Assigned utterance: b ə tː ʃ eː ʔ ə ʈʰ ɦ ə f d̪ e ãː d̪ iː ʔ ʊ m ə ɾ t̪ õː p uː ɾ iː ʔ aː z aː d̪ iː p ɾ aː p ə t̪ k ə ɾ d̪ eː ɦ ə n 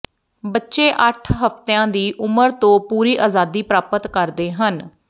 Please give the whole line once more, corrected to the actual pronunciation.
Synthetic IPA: b ə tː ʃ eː ʔ ə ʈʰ ɦ ə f t̪ e ãː d̪ iː ʔ ʊ m ə ɾ t̪ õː p uː ɾ iː ʔ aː z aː d̪ iː p ɾ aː p ə t̪ k ə ɾ d̪ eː ɦ ə n